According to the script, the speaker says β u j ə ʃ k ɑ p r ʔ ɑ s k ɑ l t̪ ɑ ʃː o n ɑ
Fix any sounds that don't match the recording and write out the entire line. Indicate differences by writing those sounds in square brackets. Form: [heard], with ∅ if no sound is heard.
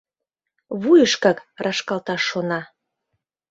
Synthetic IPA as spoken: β u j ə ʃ k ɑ [k] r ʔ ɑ [ʃ] k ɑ l t̪ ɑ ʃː o n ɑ